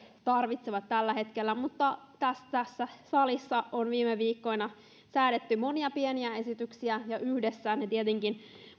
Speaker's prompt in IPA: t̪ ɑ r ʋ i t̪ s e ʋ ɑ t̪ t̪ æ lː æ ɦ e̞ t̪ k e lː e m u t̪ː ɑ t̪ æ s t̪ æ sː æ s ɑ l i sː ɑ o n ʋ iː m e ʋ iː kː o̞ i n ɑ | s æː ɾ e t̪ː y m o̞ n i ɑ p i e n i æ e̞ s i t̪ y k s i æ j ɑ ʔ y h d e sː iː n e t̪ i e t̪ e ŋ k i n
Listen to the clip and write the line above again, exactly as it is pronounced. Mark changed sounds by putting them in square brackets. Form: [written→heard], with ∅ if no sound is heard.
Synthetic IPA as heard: t̪ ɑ r ʋ i t̪ s e ʋ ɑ t̪ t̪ æ lː æ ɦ e̞ t̪ k e lː [e→æ] m u t̪ː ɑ t̪ æ s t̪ æ sː æ s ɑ l i sː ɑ o n ʋ iː m e ʋ iː kː o̞ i n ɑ | s æː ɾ e t̪ː y m o̞ n i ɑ p i e n i æ e̞ s i t̪ y k s i æ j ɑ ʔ y h d e sː [iː→æː] n e t̪ i e t̪ e ŋ k i n